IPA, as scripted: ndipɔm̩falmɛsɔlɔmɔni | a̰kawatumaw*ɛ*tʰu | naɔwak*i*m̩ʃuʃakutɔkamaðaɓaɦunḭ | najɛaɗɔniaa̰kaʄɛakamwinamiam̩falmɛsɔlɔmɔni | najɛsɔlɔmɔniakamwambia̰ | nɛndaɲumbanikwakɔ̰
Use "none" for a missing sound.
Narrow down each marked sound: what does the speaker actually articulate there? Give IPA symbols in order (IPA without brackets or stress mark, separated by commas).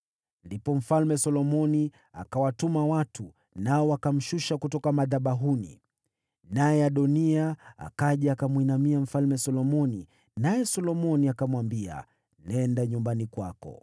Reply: a, a